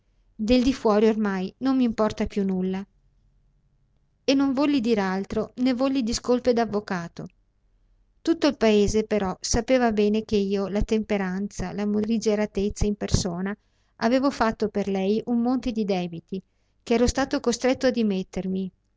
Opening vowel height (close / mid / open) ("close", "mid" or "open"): mid